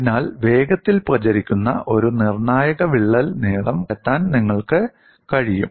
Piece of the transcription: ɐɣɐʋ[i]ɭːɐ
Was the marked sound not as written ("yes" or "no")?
no